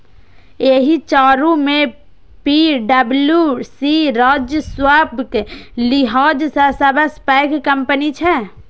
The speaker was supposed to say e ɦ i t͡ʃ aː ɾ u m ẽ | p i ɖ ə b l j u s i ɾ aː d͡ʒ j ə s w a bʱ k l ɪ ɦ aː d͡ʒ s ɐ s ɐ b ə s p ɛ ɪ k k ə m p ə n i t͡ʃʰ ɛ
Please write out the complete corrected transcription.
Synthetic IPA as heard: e ɦ i t͡ʃ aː ɾ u m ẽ | p i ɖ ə b l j u s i ɾ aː d͡ʒ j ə s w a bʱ k l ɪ ɦ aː d͡ʒ s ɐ s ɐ b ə s p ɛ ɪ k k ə m p ə n i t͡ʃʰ ɛ

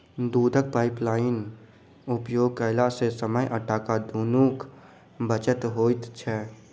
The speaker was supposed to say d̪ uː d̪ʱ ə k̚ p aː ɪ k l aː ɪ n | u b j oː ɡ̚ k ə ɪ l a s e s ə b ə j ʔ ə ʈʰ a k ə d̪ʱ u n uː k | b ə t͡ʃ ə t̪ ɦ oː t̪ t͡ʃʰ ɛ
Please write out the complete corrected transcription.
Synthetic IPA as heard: d̪ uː d̪ʱ ə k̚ p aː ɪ p l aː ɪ n | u p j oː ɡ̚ k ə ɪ l a s e s ə m ə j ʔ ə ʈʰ a k a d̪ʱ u n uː k | b ə t͡ʃ ə t̪ ɦ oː t̪ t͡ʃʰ ɛ

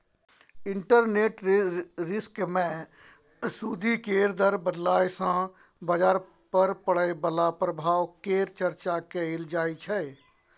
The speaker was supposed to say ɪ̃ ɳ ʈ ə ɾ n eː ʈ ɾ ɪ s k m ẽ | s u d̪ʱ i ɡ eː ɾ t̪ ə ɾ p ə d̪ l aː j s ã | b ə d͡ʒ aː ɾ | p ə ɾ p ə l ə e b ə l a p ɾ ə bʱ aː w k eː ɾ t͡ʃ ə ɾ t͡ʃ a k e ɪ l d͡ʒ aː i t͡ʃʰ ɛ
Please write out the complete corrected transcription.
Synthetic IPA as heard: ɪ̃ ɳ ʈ ə ɾ n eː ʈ ɾ ɪ s k m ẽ | s u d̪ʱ i k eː ɾ d̪ ə ɾ b ə d̪ l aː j s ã | b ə d͡ʒ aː ɾ | p ə ɾ p ə ɽ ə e b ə l a p ɾ ə bʱ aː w k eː ɾ t͡ʃ ə ɾ t͡ʃ a k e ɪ l d͡ʒ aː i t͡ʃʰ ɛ

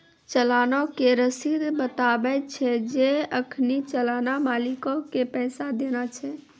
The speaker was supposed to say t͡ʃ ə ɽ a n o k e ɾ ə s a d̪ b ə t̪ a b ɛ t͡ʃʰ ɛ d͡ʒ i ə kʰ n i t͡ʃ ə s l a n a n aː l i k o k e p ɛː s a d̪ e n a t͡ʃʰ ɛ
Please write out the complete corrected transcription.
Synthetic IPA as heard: t͡ʃ ə l a n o k e ɾ ə s i d̪ b ə t̪ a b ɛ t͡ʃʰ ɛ d͡ʒ e ə kʰ n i t͡ʃ ə l a n a m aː l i k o k e p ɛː s a d̪ e n a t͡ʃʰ ɛ

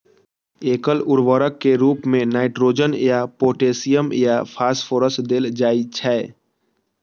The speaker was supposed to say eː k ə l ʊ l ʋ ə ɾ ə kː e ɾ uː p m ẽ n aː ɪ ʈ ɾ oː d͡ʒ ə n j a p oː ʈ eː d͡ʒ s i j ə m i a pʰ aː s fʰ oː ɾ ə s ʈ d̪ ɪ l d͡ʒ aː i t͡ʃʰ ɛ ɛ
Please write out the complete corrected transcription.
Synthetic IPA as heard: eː k ə l ʊ ɾ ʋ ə ɾ ə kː e ɾ uː p m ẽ n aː ɪ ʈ ɾ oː d͡ʒ ə n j a p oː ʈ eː s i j ə m j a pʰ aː s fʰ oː ɾ ə s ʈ d̪ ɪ l d͡ʒ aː i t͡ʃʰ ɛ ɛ

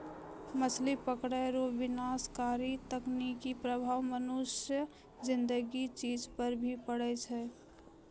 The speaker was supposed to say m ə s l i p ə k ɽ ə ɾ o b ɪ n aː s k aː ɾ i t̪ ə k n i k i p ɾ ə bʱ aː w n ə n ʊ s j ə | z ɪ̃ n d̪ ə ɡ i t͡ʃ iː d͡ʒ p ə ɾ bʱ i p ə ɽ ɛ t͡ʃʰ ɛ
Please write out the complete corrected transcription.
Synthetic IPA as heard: m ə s l i p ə k ɽ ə ɾ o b ɪ n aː s k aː ɾ i t̪ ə k n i k i p ɾ ə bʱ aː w m ə n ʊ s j ə | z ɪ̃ n d̪ ə ɡ i t͡ʃ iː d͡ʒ p ə ɾ bʱ i p ə ɽ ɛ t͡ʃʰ ɛ

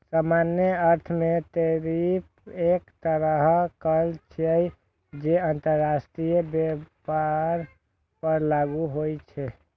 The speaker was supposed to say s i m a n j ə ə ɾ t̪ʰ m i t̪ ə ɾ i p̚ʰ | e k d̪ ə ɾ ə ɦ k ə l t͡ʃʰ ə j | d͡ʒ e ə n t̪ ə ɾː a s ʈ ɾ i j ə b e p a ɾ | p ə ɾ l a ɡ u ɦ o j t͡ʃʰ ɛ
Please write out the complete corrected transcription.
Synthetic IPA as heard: s a m a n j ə ə ɾ t̪ʰ m e t̪ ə ɾ i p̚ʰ | e k t̪ ə ɾ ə ɦ k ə l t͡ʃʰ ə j | d͡ʒ e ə n t̪ ə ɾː a s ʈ ɾ i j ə b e p a ɾ | p ə ɾ l a ɡ u ɦ o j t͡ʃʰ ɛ

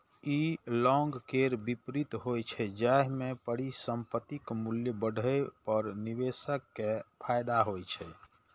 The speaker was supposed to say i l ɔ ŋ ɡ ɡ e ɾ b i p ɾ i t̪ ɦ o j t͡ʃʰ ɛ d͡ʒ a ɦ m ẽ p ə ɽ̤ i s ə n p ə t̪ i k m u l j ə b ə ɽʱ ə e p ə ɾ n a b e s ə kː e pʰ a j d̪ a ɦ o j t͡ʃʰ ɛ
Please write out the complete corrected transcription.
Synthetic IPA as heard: i l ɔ ŋ ɡ k e ɾ b i p ɾ i t̪ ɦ o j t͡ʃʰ ɛ d͡ʒ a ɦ m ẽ p ə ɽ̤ i s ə m p ə t̪ i k m u l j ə b ə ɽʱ ə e p ə ɾ n i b e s ə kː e pʰ a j d̪ a ɦ o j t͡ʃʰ ɛ

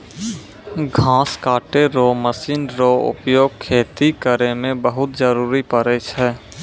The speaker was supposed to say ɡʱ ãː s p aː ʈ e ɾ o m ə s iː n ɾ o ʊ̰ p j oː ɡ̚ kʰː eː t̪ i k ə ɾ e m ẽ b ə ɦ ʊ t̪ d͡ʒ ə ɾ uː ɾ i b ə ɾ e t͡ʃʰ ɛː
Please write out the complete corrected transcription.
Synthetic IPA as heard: ɡʱ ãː s k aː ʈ e ɾ o m ə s iː n ɾ o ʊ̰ p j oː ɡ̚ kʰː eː t̪ i k ə ɾ e m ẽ b ə ɦ ʊ t̪ d͡ʒ ə ɾ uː ɾ i p ə ɾ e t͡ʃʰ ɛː

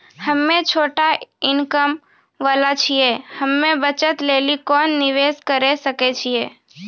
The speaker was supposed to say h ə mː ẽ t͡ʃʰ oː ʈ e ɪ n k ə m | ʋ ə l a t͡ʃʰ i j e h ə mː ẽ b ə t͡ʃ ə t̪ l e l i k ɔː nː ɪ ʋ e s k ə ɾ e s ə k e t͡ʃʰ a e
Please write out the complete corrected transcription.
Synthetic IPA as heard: h ə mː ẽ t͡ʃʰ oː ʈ a ɪ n k ə m | ʋ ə l a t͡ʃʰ i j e h ə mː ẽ b ə t͡ʃ ə t̪ l e l i k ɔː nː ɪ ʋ e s k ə ɾ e s ə k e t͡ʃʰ i e

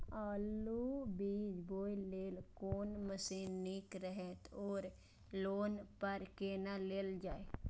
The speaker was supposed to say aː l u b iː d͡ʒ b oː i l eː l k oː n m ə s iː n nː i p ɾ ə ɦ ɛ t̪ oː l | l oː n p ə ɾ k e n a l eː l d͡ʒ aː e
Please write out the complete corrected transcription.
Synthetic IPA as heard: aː l u b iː d͡ʒ b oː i l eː l k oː n m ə s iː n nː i k ɾ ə ɦ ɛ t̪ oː ɾ | l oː n p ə ɾ k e n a l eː l d͡ʒ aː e

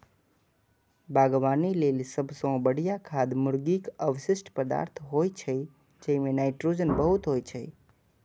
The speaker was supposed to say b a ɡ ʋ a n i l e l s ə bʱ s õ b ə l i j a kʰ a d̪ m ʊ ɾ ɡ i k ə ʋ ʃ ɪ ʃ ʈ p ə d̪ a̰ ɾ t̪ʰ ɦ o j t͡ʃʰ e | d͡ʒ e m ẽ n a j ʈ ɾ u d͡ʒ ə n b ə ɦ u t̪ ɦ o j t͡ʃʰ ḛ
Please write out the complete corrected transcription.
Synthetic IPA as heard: b a ɡ ʋ a n i l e l s ə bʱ s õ b ə ɽ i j a kʰ a d̪ m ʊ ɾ ɡ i k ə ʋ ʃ ɪ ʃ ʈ p ə d̪ a̰ ɾ t̪ʰ ɦ o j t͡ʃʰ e | d͡ʒ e m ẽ n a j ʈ ɾ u d͡ʒ ə n b ə ɦ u t̪ ɦ o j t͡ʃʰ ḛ

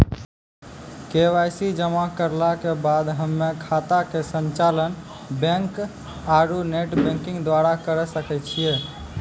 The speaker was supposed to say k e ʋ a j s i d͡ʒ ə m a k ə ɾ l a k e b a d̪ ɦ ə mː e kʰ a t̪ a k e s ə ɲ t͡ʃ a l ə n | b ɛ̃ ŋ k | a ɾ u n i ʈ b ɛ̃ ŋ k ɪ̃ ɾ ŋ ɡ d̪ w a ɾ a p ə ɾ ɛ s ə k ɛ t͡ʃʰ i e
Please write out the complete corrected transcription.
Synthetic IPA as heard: k e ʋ a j s i d͡ʒ ə m a k ə ɾ l a k e b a d̪ ɦ ə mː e kʰ a t̪ a k e s ə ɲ t͡ʃ a l ə n | b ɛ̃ ŋ k | a ɾ u n e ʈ b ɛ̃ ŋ k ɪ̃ ŋ ɡ d̪ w a ɾ a k ə ɾ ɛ s ə k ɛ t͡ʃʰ i e

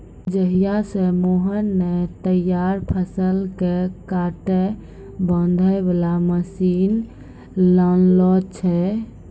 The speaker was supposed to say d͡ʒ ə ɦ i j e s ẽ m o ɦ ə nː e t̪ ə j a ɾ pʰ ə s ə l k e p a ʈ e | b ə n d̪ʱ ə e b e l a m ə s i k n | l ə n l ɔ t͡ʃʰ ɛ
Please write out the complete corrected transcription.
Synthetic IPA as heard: d͡ʒ ə ɦ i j a s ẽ m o ɦ ə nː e t̪ ə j a ɾ pʰ ə s ə l k e k a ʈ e | b ə n d̪ʱ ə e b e l a m ə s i n | l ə n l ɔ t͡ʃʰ ɛ

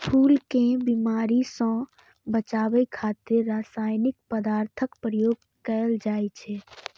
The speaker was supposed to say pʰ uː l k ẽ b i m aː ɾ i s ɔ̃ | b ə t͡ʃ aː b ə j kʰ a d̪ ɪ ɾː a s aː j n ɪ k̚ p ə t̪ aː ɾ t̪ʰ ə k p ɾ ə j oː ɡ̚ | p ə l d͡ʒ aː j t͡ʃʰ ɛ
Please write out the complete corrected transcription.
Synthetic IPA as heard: pʰ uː l k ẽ b i m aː ɾ i s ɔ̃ | b ə t͡ʃ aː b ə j kʰ a t̪ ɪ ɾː a s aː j n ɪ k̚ p ə d̪ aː ɾ t̪ʰ ə k p ɾ ə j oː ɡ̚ | k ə l d͡ʒ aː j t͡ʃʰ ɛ

